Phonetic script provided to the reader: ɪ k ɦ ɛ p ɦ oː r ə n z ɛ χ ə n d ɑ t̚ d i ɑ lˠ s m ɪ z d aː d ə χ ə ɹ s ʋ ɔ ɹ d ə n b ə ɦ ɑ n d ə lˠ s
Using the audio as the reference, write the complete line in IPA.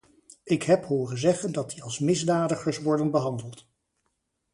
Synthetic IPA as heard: ɪ k ɦ ɛ p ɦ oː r ə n z ɛ χ ə n d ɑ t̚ d i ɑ lˠ s m ɪ z d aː d ə χ ə ɹ s ʋ ɔ ɹ d ə n b ə ɦ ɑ n d ə lˠ t